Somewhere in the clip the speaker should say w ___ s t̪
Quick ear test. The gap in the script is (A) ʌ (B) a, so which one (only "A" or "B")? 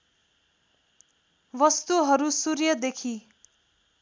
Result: A